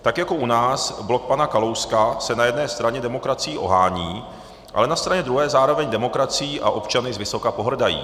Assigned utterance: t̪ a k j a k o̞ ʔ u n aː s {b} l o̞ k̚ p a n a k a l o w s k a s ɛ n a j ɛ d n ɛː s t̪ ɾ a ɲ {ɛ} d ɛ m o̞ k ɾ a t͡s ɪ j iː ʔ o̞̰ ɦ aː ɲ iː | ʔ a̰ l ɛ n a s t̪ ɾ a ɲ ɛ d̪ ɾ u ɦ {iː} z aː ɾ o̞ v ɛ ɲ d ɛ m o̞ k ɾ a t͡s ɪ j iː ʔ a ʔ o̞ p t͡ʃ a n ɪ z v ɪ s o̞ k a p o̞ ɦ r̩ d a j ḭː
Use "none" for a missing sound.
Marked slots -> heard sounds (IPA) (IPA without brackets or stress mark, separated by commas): b, ɛ, ɛː